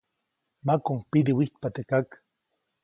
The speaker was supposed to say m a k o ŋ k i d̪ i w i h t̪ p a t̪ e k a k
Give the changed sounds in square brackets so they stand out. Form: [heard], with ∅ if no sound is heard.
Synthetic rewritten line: m a k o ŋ [p] i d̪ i w i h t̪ p a t̪ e k a k

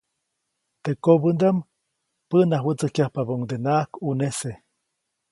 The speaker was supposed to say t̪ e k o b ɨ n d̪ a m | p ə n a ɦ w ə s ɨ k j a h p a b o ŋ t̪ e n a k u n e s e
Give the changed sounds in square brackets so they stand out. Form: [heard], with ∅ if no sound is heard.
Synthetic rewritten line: t̪ e k o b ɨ n d̪ a m | p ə n a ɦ w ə [t͡s] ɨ k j a h p a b o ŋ [d̪] e n a k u n e s e

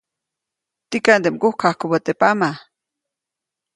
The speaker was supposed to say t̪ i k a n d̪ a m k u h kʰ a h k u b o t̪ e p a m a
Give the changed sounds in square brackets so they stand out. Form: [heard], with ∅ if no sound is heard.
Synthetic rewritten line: t̪ i k a n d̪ [e] m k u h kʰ a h k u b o t̪ e p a m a

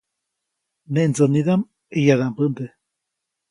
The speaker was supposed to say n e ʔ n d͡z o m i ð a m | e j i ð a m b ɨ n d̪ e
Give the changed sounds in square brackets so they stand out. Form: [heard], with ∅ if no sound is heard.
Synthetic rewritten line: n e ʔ n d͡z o [n] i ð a m | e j [a] ð a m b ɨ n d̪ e

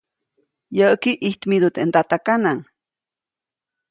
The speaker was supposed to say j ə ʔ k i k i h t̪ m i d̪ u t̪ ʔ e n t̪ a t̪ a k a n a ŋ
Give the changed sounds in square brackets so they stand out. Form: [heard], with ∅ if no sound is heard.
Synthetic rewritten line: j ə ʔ k i [ʔ] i h t̪ m i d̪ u t̪ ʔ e n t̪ a t̪ a k a n a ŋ

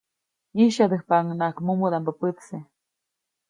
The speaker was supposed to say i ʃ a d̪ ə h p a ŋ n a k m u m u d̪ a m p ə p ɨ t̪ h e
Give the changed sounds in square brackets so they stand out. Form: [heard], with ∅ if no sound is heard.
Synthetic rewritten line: i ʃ a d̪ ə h p a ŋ n a k m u m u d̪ a m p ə p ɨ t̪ [s] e

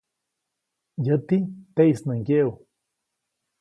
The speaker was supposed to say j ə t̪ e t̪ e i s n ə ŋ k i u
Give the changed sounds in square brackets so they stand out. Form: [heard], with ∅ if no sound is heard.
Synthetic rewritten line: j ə t̪ [i] t̪ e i s n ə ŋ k [e] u

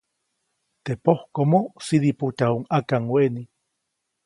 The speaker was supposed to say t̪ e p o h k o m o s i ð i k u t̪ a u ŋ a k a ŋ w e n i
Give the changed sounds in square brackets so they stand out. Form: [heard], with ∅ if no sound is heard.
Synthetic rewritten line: t̪ e p o h k o m o s i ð i [p] u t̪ a u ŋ a k a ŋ w e n i

